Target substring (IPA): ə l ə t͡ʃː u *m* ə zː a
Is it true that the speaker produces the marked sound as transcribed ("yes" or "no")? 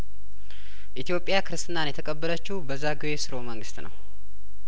no